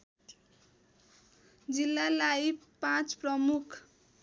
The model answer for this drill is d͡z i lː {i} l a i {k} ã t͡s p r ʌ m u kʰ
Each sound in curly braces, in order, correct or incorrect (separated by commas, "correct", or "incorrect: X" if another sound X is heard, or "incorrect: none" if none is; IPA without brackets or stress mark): incorrect: a, incorrect: p